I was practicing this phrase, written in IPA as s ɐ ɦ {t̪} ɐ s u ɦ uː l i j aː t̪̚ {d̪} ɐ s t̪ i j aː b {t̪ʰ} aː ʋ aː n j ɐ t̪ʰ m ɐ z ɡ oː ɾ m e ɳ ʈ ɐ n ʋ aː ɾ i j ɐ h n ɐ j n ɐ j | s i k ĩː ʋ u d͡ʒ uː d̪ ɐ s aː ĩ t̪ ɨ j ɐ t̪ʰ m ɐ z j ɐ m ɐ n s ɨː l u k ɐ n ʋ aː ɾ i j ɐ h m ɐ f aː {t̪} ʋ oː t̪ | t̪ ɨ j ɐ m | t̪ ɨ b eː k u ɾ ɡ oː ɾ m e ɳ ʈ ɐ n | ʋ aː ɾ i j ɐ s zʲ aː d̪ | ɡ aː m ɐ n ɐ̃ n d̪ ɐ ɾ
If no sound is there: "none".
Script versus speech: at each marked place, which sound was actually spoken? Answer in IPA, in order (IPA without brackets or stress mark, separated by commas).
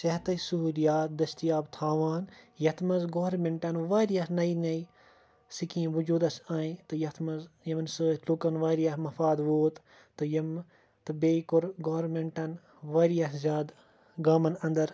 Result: t̪, d̪, t̪ʰ, d̪